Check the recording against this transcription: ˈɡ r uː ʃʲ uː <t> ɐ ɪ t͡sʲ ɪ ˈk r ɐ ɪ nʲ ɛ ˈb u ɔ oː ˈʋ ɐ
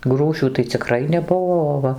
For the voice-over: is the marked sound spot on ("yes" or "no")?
yes